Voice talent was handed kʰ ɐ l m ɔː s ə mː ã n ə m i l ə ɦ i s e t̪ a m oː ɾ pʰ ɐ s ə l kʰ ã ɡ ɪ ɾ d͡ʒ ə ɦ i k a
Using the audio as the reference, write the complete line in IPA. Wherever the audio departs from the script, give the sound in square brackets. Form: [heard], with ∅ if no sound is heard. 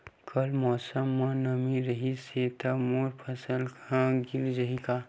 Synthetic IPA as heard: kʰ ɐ l m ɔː s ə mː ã n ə m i [ɾ] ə ɦ i s e t̪ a m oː ɾ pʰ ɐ s ə l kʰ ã ɡ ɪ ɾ d͡ʒ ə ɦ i k a